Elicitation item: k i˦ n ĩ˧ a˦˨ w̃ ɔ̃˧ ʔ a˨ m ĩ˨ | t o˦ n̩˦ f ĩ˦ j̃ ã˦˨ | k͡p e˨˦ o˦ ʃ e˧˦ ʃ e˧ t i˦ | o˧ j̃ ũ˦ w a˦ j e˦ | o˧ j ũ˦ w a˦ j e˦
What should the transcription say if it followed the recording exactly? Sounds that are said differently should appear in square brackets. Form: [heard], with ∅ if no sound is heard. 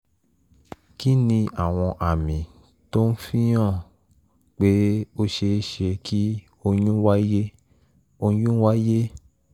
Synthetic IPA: k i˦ n ĩ˧ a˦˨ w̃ ɔ̃˧ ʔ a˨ m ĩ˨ | t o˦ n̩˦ f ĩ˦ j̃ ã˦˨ | k͡p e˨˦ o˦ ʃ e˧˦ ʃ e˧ [k] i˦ | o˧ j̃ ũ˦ w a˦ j e˦ | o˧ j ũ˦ w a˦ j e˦